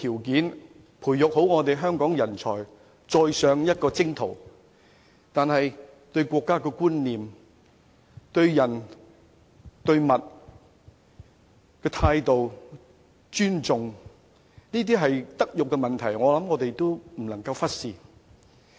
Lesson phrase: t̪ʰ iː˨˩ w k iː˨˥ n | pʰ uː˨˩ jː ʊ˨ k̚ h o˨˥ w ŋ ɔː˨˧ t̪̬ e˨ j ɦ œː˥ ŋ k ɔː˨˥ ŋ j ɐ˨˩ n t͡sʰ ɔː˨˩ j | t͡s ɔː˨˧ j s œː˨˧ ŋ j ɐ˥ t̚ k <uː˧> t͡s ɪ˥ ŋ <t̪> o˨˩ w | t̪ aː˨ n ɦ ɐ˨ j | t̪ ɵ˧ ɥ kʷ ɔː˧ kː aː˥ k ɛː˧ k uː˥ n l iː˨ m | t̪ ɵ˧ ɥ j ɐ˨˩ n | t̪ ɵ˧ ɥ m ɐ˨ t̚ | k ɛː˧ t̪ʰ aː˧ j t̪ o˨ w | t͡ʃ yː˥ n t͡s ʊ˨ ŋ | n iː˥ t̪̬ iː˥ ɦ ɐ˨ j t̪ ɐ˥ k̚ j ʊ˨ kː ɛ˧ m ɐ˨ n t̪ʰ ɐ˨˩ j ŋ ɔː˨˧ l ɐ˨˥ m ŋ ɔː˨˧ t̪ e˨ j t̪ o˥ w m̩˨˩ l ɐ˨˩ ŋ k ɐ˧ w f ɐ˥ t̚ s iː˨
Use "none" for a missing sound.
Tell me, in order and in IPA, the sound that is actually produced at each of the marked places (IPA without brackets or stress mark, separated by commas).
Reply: ɔː˧, t̪ʰ